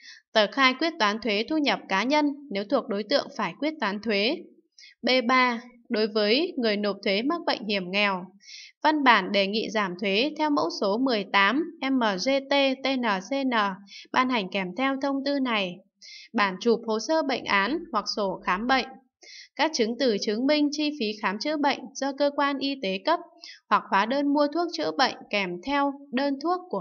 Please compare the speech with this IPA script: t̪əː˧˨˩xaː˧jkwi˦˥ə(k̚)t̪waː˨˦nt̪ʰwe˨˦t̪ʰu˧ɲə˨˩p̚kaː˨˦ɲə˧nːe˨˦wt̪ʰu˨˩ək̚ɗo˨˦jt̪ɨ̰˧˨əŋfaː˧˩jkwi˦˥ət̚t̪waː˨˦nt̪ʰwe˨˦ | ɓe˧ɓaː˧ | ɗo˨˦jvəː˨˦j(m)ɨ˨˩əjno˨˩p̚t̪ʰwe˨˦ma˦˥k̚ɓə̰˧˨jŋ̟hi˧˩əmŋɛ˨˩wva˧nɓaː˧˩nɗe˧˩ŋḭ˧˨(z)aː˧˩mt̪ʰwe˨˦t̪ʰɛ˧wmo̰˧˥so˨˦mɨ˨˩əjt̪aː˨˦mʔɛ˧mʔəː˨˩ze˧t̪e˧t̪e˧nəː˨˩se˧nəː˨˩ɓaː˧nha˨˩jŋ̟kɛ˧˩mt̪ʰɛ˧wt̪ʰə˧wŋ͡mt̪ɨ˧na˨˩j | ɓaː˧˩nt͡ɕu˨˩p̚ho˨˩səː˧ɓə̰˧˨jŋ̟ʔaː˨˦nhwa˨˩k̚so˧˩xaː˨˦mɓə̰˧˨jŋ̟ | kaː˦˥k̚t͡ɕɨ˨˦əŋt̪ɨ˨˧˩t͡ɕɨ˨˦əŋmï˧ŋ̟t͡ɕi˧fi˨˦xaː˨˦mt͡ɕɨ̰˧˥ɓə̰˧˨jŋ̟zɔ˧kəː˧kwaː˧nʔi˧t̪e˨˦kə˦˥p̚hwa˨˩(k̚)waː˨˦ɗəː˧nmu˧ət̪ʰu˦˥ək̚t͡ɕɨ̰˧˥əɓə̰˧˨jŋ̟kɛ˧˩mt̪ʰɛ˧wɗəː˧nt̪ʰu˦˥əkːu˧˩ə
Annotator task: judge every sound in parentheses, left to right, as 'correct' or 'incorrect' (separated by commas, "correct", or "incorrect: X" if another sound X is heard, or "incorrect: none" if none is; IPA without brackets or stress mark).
incorrect: t̚, incorrect: ŋ, correct, correct